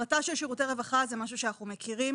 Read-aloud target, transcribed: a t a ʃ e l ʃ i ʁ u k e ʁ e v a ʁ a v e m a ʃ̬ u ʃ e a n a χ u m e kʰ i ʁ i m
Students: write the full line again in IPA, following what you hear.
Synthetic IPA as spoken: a t a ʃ e l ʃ i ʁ u t e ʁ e v a χ a z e m a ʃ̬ u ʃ e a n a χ u m e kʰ i ʁ i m